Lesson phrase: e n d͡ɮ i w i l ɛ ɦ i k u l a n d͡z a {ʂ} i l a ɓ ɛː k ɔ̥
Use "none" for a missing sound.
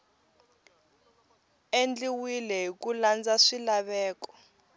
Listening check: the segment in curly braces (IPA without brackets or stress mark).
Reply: ʂ